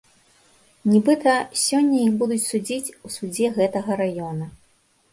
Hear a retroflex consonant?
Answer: no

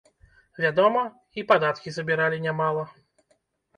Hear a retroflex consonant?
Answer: no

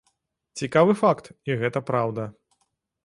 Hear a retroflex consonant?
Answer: no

